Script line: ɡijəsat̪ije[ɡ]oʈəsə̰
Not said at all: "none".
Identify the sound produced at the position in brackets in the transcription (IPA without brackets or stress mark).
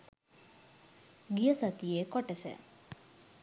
k